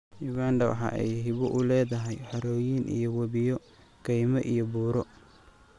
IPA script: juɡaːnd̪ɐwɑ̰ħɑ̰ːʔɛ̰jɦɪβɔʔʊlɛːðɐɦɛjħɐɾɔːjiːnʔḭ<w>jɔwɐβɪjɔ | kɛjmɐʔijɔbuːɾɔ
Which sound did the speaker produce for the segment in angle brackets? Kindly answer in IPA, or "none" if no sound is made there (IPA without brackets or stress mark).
none